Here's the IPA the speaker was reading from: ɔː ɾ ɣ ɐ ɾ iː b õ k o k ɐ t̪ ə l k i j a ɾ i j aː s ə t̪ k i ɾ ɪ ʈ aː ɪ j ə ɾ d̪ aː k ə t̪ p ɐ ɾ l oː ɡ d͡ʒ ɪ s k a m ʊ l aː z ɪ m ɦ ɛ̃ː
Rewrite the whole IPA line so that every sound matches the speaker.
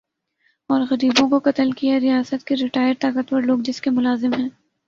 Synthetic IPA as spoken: ɔː ɾ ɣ ɐ ɾ iː b õ k o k ɐ t̪ ə l k i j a ɾ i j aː s ə t̪ k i ɾ ɪ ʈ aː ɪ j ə ɾ t̪ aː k ə t̪ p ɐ ɾ l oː ɡ d͡ʒ ɪ s k e m ʊ l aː z ɪ m ɦ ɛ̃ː